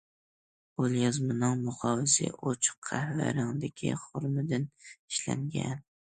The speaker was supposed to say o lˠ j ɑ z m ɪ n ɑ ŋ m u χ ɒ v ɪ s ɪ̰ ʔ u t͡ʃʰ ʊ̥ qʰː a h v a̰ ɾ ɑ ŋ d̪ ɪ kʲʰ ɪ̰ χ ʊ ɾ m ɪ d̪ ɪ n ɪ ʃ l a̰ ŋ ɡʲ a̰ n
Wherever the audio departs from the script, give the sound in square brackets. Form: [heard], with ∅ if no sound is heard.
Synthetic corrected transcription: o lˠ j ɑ z m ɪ n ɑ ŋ m [ʊ] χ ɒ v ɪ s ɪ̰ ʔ [o] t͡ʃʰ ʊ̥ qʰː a h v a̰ ɾ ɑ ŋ d̪ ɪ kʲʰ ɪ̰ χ ʊ ɾ m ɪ d̪ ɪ n ɪ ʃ l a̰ ŋ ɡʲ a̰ n